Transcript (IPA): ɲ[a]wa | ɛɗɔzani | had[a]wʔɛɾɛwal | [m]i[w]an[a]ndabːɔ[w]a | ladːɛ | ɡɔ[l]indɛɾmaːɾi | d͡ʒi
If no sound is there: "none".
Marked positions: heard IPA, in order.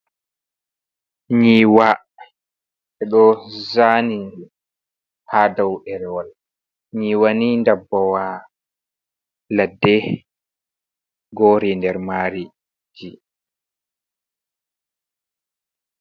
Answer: i, a, ɲ, w, i, w, ɾ

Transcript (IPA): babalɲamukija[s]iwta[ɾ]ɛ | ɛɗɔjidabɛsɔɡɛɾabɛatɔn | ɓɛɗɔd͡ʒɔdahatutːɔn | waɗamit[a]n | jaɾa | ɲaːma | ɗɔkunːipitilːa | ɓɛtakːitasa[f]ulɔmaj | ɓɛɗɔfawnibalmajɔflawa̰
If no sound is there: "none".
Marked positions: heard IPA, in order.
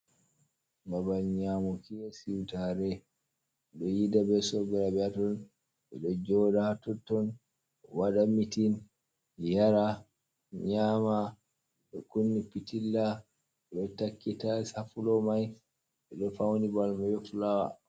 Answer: s, ɾ, i, f

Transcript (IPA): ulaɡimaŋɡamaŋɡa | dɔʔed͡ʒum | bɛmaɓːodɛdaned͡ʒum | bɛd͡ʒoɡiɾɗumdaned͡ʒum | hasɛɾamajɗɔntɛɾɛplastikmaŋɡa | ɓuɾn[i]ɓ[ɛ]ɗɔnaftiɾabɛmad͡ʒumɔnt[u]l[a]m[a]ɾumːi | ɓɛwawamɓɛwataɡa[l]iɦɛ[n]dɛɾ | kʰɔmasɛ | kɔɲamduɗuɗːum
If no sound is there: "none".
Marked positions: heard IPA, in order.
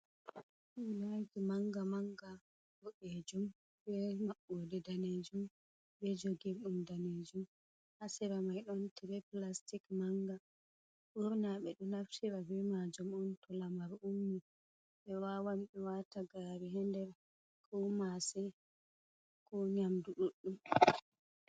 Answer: a, ɛ, ɔ, a, a, ɾ, n

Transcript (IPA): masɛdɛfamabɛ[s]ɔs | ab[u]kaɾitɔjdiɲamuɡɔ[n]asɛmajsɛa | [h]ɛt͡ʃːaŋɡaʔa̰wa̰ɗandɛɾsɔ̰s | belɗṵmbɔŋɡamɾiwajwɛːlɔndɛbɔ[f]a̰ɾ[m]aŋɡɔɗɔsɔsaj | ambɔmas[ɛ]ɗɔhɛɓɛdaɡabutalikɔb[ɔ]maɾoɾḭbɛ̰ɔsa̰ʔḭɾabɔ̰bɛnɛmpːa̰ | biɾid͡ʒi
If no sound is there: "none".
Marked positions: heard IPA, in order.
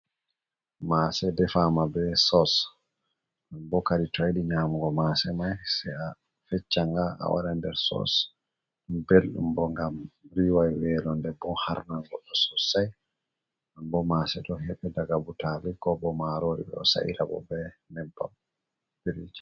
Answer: s, ɔ, m, f, h, n, ɛ, ɔ

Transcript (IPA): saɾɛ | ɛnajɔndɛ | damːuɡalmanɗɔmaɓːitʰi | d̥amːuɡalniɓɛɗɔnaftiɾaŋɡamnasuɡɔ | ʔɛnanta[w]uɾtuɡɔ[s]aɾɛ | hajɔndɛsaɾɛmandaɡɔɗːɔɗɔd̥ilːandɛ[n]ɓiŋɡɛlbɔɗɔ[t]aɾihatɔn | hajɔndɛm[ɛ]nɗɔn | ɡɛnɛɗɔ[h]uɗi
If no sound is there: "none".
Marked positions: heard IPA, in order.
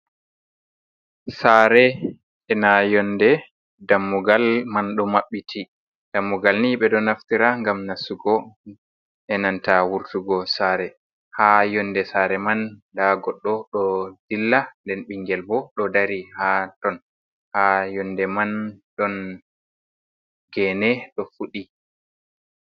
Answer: w, s, n, d, a, f

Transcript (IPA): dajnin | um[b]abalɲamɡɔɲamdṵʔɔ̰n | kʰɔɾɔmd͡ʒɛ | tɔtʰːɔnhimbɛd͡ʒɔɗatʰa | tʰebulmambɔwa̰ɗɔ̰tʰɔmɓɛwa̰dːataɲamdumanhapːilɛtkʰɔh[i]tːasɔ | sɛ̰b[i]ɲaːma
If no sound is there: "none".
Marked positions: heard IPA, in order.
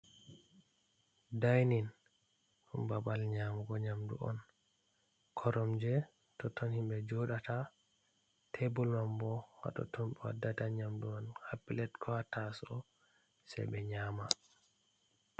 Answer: b, a, ɛ

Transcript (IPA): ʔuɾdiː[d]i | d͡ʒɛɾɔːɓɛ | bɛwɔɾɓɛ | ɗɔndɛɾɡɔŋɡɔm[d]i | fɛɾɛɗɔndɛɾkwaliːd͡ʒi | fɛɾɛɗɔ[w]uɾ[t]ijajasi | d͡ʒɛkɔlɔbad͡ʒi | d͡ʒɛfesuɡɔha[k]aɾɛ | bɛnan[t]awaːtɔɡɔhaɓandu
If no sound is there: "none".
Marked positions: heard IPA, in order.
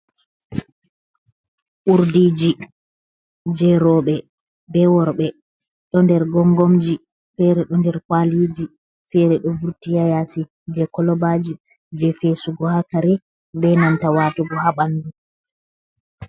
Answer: d͡ʒ, d͡ʒ, v, t, k, t

